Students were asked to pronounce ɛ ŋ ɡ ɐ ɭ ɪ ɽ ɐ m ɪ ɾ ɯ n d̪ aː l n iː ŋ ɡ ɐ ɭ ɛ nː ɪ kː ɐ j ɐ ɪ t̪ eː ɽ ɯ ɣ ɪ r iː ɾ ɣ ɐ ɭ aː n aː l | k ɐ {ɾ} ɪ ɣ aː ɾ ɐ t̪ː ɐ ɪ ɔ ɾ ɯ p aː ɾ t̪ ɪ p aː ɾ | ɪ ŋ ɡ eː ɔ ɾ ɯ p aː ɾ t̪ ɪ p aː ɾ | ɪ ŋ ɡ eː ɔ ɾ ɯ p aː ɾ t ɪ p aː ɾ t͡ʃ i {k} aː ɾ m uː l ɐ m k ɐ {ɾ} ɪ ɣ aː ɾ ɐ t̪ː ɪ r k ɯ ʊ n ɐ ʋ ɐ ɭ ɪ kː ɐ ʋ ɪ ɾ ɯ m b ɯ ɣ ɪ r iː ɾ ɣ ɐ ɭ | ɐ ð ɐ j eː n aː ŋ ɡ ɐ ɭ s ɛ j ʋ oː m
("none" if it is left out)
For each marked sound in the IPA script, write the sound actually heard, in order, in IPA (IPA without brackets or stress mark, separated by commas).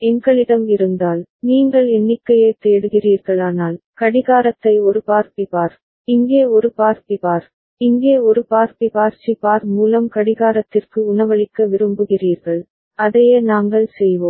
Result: ɽ, p, ɽ